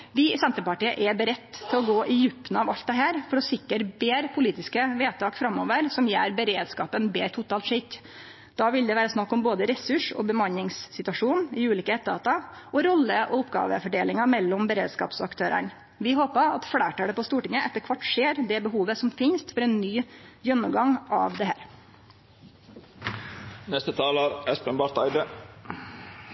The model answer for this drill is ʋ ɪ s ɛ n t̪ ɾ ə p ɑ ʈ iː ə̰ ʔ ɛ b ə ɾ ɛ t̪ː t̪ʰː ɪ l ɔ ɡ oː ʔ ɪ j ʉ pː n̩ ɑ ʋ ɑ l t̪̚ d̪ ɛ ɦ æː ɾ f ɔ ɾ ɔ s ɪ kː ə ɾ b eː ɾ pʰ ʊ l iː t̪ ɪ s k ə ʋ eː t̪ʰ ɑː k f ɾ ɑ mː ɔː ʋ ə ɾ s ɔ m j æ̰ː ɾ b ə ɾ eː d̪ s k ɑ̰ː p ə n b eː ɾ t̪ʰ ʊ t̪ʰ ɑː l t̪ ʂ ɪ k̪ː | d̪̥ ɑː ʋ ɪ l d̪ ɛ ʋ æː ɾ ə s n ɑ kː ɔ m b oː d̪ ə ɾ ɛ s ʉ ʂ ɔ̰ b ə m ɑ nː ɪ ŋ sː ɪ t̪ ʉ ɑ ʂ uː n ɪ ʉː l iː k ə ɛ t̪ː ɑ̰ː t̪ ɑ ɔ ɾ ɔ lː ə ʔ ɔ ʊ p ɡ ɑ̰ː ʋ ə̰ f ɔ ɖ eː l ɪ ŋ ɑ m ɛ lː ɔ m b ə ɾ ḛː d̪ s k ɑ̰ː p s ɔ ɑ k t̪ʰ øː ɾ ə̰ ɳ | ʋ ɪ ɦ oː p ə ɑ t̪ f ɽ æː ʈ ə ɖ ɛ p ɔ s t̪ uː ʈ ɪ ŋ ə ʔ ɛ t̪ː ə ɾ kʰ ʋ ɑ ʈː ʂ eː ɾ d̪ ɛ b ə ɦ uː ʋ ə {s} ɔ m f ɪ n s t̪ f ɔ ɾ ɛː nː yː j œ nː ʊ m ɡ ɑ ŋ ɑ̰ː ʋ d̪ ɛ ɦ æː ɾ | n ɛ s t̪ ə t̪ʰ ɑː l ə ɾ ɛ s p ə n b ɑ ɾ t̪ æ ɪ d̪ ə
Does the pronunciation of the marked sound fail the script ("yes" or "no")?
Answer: no